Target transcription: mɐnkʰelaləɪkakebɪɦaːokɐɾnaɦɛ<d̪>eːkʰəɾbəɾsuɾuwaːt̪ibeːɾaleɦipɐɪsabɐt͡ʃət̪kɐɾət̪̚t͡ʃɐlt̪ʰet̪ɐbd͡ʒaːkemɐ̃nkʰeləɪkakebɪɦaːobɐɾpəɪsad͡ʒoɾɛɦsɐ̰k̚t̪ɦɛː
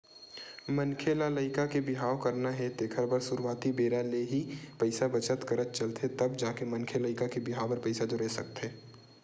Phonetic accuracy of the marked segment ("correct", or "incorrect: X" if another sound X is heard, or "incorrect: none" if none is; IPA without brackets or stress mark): incorrect: t̪